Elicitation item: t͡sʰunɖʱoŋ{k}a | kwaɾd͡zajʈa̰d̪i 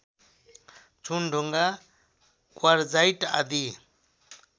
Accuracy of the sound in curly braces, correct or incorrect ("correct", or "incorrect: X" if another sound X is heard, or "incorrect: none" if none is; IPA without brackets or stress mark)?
incorrect: ɡ